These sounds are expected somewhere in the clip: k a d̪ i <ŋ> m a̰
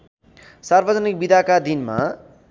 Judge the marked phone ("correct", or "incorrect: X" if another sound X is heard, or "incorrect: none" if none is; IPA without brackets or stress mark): incorrect: n